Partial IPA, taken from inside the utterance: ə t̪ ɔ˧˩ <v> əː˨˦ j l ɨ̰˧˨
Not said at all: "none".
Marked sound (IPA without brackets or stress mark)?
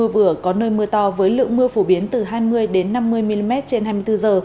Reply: v